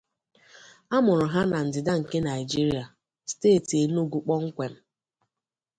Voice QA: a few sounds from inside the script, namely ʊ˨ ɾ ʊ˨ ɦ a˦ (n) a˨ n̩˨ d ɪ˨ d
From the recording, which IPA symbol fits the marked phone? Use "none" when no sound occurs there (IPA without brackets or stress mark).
n